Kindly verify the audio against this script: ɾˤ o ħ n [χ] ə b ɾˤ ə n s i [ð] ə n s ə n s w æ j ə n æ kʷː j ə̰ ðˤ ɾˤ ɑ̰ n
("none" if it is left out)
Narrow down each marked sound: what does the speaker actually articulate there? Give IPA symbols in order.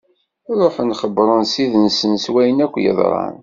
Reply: χ, ð

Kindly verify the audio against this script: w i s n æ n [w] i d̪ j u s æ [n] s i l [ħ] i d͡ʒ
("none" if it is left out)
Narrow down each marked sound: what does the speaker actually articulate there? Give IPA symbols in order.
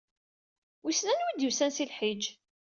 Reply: w, n, ħ

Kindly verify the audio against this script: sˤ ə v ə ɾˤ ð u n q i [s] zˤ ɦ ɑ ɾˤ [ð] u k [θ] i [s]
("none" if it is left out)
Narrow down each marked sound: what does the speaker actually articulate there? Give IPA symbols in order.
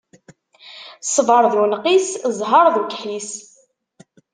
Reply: s, ð, ħ, s

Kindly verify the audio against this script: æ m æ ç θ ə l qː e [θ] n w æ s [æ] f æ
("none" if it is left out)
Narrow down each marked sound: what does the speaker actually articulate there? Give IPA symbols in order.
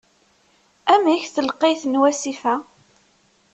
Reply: θ, i

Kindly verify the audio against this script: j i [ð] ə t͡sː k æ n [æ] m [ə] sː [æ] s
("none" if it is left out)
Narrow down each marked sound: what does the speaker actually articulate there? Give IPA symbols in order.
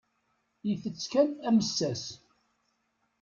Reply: θ, æ, ə, æ

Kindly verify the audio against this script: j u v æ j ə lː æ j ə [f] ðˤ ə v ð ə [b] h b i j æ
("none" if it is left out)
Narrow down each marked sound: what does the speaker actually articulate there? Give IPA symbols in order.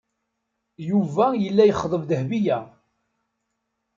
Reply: χ, none

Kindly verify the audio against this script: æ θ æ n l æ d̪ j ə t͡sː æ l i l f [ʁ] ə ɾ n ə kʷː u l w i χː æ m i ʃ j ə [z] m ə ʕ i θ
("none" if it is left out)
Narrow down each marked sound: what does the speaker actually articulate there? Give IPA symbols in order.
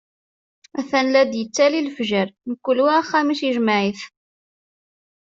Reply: ʒ, ʒ

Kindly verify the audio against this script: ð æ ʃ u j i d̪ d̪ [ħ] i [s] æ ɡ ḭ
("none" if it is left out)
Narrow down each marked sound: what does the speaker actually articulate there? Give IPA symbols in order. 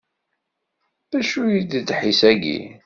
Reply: ħ, s

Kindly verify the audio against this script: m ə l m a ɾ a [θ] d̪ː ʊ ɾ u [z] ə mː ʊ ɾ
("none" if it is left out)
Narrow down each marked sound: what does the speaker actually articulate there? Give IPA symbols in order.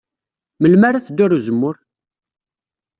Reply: θ, z

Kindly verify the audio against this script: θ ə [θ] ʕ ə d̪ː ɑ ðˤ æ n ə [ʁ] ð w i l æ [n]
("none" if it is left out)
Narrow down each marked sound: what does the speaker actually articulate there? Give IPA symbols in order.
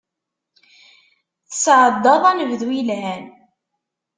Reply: s, v, n

